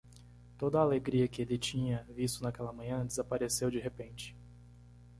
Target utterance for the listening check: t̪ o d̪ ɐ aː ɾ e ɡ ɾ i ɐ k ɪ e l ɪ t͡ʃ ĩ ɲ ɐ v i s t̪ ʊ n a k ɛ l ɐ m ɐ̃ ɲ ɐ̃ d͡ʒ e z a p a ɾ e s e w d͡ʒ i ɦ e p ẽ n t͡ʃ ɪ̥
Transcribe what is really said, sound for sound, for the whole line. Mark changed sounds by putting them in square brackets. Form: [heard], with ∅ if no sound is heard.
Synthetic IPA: t̪ o d̪ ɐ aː [l] e ɡ ɾ i ɐ k ɪ e l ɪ t͡ʃ ĩ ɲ ɐ v i s t̪ ʊ n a k ɛ l ɐ m ɐ̃ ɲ ɐ̃ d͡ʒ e z a p a ɾ e s e w d͡ʒ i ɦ e p ẽ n t͡ʃ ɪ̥

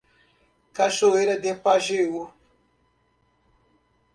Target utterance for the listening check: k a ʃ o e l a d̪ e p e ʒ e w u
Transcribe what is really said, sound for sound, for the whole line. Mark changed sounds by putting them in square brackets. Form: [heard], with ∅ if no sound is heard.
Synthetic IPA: k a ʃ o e [ɾ] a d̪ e p [a] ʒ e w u

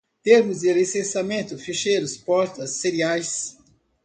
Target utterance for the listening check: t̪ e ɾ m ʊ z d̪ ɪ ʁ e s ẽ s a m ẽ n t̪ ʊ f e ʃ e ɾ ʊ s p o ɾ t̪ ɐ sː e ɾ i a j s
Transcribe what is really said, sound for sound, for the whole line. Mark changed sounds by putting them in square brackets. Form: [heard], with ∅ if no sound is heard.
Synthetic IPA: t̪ e ɾ m ʊ z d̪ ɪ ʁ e s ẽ s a m ẽ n t̪ ʊ f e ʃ e ɾ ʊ s p [ɔ] ɾ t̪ ɐ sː e ɾ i a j s

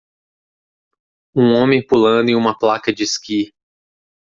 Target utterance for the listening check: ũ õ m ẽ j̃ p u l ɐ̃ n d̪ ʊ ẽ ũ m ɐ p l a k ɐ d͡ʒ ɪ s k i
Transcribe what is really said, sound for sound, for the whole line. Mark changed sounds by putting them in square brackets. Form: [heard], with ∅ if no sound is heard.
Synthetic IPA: ũ õ m ẽ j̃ p u l ɐ̃ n d̪ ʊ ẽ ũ m ɐ p l a k ɐ d͡ʒ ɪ s k i

